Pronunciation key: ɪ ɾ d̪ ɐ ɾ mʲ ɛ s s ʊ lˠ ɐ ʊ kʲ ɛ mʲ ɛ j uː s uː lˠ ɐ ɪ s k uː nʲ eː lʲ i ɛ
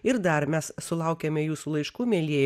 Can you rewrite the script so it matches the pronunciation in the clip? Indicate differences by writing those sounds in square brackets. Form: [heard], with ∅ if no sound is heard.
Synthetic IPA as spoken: ɪ ɾ d̪ ɐ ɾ mʲ ɛ s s ʊ lˠ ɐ ʊ kʲ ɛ mʲ ɛ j uː s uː lˠ ɐ ɪ [ʃ] k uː [mʲ] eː lʲ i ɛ